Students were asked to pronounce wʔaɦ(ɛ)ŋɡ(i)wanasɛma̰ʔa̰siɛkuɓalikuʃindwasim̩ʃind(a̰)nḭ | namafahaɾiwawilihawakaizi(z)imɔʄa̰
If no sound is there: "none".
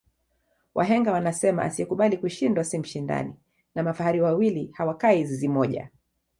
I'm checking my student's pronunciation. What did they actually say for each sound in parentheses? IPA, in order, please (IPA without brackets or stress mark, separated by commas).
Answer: ɛ, a, a̰, z